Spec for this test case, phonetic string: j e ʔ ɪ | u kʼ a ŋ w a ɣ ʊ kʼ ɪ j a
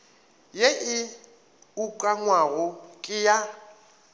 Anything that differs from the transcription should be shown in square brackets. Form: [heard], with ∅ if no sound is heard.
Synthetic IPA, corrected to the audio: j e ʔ ɪ | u kʼ a ŋ w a ɣ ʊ kʼ ɪ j a

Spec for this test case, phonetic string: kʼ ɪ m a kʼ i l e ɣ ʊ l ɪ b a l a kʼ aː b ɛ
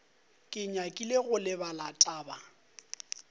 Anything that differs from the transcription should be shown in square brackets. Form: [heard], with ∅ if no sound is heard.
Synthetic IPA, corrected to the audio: kʼ ɪ [ɲ] a kʼ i l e ɣ ʊ l ɪ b a l a [tʼ] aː b [a]

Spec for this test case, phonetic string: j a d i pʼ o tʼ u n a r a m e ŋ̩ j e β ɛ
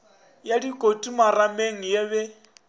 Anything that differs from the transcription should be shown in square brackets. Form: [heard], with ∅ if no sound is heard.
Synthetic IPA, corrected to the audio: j a d i [kʼ] o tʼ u [m] a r a m e ŋ̩ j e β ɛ

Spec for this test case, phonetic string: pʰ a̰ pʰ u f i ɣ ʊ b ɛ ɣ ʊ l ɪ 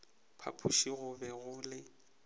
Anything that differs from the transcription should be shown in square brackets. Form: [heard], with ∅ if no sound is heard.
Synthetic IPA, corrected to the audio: pʰ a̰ pʰ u [ʃ] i ɣ ʊ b ɛ ɣ ʊ l ɪ

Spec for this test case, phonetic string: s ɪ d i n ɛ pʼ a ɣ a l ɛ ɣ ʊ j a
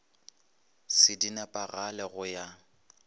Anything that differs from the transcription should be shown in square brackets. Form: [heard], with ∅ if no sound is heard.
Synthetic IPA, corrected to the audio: s ɪ d i n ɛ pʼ a ɣ a l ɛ ɣ ʊ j a

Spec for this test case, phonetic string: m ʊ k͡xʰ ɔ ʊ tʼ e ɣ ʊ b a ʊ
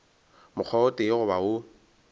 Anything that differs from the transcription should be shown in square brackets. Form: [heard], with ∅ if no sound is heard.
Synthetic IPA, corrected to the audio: m ʊ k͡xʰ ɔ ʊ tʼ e ɣ ʊ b a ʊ

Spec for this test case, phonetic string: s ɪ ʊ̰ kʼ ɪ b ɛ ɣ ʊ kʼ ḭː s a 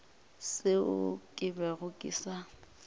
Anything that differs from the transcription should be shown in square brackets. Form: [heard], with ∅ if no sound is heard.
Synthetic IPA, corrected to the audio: s ɪ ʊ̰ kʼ ɪ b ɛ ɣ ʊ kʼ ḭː s a

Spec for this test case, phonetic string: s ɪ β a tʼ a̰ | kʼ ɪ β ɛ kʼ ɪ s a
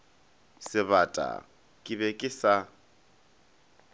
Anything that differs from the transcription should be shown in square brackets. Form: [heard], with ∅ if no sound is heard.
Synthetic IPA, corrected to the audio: s ɪ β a tʼ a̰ | kʼ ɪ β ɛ kʼ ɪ s a

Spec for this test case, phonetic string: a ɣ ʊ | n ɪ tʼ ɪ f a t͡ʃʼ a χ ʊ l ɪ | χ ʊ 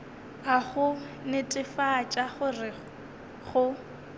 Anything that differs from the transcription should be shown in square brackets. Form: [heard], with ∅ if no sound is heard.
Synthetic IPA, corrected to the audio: a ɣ ʊ | n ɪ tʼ ɪ f a t͡ʃʼ a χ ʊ [r] ɪ | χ ʊ

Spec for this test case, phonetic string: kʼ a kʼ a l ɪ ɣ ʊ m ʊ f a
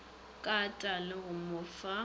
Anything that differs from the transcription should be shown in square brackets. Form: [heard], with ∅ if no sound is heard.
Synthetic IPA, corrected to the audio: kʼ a [tʼ] a l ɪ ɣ ʊ m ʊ f a

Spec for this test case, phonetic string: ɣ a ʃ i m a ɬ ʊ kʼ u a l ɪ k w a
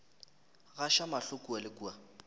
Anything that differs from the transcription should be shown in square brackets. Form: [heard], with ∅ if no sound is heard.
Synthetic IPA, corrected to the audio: ɣ a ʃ [a] m a ɬ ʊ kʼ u a l ɪ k [u] a

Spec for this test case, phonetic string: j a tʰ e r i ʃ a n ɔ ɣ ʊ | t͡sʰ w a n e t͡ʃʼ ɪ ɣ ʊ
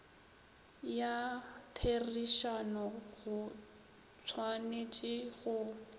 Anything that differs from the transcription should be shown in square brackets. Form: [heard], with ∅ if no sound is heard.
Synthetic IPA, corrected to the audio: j a tʰ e r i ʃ a n ɔ ɣ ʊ | t͡sʰ w a n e t͡ʃʼ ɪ ɣ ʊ

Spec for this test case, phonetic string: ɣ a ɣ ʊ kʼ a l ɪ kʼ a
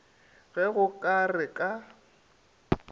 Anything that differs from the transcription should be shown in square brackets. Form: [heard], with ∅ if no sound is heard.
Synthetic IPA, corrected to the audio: ɣ [ɛ] ɣ ʊ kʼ a [r] ɪ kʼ a

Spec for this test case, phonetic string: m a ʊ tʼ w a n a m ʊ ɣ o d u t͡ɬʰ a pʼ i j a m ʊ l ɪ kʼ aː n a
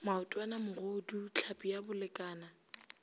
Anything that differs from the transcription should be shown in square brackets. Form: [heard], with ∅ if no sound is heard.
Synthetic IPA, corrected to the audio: m a ʊ tʼ w a n a m ʊ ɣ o d u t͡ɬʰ a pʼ i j a [b] ʊ l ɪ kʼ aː n a

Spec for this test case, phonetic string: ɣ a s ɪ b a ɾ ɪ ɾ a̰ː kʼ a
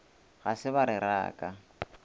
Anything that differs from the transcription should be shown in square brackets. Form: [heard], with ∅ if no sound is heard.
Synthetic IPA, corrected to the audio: ɣ a s ɪ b a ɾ ɪ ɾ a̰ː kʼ a

